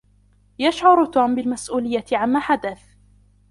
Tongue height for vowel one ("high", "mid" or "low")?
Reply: low